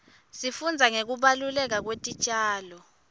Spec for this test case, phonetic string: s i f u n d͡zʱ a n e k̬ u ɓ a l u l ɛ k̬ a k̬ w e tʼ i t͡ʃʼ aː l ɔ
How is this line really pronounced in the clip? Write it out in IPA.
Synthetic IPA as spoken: s i f u n d͡zʱ a ŋ e k̬ u ɓ a l u l ɛ k̬ a k̬ w e tʼ i t͡ʃʼ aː l ɔ